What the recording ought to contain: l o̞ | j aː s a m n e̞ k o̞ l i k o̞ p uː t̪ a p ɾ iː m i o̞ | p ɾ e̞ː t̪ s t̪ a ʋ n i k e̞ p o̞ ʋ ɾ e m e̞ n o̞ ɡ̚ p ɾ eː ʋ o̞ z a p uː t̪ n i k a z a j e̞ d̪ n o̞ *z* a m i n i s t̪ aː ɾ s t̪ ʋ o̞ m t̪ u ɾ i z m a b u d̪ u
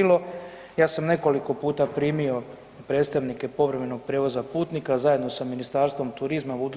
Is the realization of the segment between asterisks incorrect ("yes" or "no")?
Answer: yes